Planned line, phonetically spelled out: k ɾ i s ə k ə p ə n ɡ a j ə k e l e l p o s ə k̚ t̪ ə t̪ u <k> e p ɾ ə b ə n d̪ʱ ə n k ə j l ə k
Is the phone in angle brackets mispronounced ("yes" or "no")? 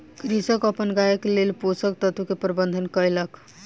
no